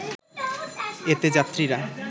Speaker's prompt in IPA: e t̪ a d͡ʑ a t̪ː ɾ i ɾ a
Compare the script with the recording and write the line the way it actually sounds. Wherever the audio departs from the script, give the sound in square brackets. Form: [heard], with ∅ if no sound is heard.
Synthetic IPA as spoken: e t̪ [e] d͡ʑ a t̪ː ɾ i ɾ a